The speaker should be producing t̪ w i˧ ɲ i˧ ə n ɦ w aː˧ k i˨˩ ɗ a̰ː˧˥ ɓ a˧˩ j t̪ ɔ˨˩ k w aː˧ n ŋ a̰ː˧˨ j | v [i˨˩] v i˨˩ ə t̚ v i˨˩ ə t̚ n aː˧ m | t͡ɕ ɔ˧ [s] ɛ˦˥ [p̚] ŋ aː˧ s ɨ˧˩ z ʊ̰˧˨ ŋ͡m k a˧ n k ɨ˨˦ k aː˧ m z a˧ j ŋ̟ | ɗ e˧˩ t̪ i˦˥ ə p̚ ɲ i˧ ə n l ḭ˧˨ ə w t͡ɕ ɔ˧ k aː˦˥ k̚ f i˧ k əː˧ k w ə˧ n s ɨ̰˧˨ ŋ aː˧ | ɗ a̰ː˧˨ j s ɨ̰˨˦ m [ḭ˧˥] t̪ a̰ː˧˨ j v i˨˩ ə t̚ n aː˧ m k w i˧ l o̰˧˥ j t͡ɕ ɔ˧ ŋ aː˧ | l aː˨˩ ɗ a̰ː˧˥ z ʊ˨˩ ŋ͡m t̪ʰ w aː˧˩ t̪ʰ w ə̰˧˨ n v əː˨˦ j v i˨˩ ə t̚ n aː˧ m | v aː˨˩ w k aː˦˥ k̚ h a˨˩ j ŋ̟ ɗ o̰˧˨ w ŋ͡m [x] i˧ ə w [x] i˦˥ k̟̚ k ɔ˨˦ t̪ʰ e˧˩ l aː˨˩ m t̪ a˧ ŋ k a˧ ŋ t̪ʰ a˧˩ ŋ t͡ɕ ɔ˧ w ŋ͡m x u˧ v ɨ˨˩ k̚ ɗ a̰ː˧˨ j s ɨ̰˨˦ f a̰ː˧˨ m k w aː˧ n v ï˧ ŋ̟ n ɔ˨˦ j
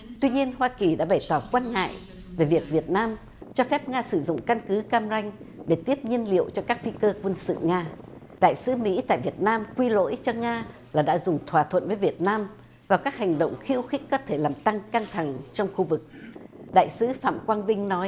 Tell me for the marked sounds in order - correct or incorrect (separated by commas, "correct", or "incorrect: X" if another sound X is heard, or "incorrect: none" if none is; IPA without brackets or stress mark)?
incorrect: e˨˩, incorrect: f, correct, correct, correct, correct